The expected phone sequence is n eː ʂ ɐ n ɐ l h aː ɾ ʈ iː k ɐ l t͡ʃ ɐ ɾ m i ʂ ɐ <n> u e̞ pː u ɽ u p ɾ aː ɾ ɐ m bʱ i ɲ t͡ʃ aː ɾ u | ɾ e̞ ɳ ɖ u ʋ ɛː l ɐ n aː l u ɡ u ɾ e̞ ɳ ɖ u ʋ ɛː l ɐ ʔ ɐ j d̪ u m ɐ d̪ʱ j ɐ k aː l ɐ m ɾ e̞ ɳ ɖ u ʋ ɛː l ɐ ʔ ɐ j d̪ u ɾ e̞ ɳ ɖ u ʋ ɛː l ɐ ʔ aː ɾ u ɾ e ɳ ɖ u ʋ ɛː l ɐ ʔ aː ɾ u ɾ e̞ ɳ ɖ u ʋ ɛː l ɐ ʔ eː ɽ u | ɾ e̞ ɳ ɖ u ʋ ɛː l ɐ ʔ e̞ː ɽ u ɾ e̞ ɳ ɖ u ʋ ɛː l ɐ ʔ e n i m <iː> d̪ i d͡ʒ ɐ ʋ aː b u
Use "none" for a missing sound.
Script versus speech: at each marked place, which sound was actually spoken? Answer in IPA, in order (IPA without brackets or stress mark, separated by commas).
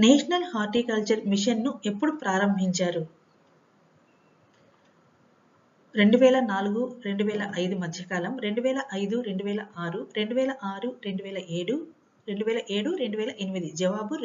nː, i